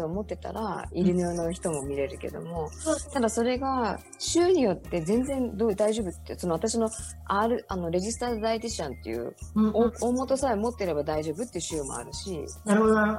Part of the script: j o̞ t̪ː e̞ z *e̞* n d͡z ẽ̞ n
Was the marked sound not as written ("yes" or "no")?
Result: yes